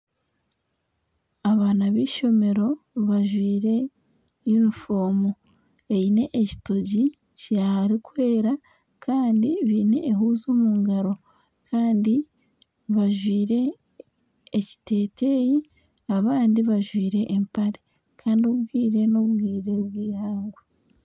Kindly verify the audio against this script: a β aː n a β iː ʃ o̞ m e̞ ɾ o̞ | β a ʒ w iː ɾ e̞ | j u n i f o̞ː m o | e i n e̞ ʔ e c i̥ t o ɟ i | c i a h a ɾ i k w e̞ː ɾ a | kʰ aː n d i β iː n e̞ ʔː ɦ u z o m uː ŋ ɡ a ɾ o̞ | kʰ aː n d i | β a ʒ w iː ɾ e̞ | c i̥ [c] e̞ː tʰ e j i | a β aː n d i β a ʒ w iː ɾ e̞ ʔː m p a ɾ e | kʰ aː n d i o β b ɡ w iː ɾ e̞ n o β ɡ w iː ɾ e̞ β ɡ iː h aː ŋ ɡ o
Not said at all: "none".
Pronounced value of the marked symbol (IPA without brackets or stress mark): t